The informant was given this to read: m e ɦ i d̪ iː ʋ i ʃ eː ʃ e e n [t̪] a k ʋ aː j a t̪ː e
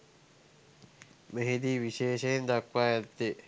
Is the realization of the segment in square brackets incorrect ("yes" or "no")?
yes